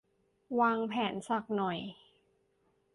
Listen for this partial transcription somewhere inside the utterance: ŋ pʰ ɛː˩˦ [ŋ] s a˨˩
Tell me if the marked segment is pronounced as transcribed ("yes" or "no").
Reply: no